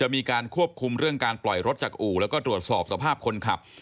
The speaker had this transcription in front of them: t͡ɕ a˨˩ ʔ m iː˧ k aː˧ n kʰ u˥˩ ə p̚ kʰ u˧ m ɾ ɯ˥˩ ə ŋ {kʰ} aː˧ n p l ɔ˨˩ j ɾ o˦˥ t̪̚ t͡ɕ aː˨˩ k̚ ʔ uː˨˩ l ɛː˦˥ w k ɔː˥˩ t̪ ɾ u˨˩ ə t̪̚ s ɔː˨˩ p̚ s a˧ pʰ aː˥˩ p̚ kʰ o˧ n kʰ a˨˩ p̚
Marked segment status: incorrect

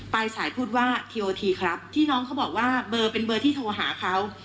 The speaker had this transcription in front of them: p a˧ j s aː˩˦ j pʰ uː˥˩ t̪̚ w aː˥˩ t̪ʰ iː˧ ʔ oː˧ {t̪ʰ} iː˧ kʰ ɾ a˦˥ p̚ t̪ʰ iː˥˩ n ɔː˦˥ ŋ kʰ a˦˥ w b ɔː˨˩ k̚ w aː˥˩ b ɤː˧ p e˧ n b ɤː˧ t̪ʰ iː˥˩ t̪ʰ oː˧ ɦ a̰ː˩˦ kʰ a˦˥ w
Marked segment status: correct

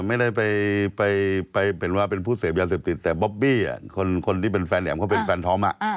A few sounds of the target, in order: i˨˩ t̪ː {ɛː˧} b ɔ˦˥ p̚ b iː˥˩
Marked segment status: incorrect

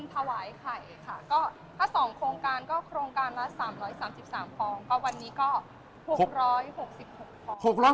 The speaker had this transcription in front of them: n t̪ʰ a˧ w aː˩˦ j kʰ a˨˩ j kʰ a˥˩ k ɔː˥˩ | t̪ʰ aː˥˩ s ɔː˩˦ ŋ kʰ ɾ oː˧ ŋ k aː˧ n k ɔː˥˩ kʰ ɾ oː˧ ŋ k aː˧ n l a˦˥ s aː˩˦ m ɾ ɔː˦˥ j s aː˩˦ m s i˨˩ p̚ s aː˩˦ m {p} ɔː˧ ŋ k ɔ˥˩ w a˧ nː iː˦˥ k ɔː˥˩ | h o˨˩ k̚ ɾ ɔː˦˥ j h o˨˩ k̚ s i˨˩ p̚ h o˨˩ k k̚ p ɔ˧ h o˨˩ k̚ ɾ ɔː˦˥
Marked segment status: correct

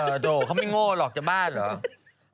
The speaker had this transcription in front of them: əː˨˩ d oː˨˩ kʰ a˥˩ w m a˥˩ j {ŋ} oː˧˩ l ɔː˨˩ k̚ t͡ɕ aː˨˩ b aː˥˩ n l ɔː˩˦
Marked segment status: correct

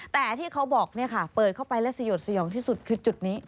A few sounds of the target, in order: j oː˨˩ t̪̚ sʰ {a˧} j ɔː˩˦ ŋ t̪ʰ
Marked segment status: correct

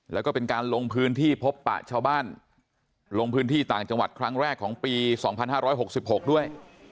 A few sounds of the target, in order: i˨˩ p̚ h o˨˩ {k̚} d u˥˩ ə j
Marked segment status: correct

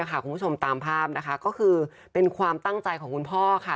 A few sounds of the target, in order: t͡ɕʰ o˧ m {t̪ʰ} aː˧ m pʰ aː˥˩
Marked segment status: incorrect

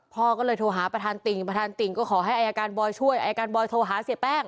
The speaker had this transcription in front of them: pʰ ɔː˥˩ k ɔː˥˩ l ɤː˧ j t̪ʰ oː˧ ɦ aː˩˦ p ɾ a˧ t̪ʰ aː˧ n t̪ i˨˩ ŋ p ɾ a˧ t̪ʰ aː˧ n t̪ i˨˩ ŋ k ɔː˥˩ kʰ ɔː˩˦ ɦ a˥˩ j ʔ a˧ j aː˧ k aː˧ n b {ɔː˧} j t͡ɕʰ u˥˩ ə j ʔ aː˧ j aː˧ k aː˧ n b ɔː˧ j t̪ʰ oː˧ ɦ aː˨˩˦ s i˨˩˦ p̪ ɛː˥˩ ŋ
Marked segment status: correct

